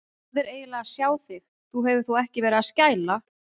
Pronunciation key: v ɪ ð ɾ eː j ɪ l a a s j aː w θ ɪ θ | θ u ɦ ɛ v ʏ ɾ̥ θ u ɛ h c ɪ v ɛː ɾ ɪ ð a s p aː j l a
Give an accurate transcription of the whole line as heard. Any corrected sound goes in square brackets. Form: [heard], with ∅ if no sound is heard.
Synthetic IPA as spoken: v ɪ [∅] ɾ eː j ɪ l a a s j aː w θ ɪ [x] | θ u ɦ ɛ v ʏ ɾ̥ θ u ɛ h c ɪ v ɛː ɾ ɪ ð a s [c] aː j l a